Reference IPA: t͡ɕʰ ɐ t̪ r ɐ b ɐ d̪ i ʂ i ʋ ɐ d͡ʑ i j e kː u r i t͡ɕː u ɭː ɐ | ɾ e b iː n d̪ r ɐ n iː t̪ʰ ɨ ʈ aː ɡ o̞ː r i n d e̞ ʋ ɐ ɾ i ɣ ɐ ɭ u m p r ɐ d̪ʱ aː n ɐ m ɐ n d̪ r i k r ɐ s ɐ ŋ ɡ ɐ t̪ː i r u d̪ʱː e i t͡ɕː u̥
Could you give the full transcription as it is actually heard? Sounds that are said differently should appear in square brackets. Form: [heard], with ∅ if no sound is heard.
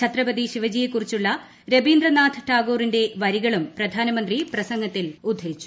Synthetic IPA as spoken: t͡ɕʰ ɐ t̪ r ɐ b ɐ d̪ i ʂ i ʋ ɐ d͡ʑ i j e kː u r i t͡ɕː u ɭː ɐ | ɾ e b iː n d̪ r ɐ n [aː] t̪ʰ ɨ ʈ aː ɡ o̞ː r i n d e̞ ʋ ɐ ɾ i ɣ ɐ ɭ u m p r ɐ d̪ʱ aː n ɐ m ɐ n d̪ r i [p] r ɐ s ɐ ŋ ɡ ɐ t̪ː i [l] u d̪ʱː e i t͡ɕː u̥